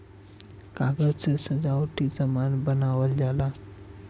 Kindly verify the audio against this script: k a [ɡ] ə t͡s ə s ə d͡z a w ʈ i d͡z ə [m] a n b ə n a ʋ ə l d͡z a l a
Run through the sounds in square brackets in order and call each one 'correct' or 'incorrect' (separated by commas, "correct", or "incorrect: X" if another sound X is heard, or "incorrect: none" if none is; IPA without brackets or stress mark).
correct, correct